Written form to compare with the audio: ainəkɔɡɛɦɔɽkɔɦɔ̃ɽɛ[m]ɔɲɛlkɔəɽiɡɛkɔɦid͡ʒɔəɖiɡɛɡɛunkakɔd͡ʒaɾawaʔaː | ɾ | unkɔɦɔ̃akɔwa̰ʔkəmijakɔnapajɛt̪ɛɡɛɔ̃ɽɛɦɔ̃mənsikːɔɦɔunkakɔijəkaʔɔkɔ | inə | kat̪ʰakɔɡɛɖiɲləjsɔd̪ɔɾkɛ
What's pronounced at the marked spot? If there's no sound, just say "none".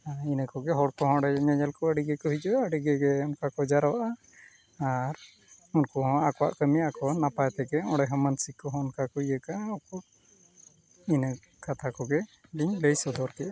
ɲ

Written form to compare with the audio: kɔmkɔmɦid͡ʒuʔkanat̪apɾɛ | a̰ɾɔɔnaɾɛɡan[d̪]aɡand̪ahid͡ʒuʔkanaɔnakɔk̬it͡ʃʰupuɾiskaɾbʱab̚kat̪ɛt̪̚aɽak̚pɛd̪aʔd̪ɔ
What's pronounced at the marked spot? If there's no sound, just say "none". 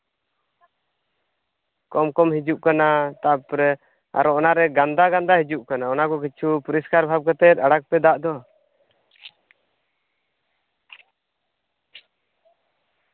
d̪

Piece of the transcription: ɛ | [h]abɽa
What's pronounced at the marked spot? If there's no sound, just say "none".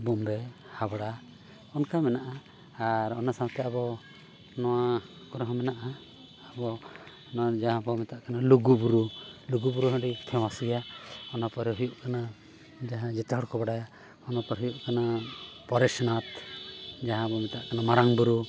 h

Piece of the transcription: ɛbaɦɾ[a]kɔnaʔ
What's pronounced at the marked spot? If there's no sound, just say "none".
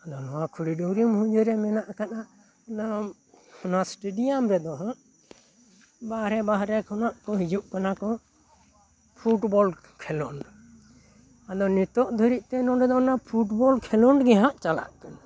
ɛ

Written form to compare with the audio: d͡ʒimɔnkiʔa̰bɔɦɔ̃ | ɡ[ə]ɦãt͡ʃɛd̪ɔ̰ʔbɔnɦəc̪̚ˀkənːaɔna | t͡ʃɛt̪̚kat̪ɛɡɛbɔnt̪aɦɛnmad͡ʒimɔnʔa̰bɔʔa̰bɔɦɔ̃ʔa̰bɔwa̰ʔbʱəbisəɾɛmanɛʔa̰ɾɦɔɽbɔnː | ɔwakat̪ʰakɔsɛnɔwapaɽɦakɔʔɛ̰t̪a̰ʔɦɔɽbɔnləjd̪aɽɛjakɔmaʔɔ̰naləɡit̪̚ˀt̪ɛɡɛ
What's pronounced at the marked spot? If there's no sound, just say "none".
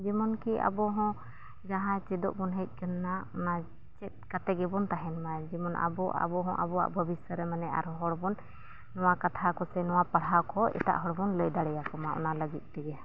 a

